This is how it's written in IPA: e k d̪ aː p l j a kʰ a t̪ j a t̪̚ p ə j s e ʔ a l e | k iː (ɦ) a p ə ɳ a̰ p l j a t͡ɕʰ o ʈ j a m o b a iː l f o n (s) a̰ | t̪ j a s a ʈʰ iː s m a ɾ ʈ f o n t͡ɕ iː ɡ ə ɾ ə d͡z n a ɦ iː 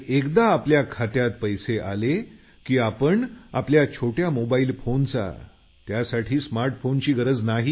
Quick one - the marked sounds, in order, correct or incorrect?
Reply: incorrect, incorrect

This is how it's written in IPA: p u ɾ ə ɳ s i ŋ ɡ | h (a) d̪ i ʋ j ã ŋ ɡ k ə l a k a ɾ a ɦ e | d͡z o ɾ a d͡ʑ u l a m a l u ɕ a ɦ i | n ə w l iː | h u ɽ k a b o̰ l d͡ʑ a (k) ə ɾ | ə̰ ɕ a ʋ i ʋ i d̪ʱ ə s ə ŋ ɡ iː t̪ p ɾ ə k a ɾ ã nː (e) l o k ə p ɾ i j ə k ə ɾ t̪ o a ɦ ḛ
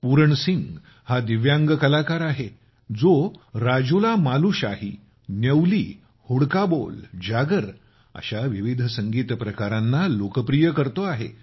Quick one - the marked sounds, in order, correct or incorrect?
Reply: correct, incorrect, incorrect

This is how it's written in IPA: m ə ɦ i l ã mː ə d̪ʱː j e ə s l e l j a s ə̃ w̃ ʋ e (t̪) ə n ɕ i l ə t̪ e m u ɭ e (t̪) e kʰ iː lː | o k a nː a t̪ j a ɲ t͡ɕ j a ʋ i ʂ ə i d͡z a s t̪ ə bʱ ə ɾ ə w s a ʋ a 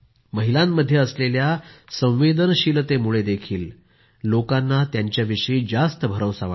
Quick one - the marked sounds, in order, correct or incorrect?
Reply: incorrect, incorrect

